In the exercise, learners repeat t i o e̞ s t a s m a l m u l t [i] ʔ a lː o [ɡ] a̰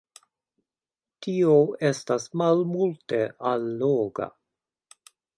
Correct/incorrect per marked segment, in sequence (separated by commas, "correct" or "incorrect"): incorrect, correct